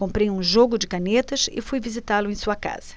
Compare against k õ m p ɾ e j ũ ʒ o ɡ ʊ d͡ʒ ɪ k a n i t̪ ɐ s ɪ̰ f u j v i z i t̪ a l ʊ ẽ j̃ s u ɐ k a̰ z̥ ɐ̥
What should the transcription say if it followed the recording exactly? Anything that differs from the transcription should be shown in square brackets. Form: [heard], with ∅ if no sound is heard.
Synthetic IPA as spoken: k õ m p ɾ e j ũ ʒ o ɡ ʊ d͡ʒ ɪ k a n [e] t̪ ɐ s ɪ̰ f u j v i z i t̪ a l ʊ ẽ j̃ s u ɐ k a̰ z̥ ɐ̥